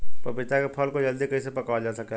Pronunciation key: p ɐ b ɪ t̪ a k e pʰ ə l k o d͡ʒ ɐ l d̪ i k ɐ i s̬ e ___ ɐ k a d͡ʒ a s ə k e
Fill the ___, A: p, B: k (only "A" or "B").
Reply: A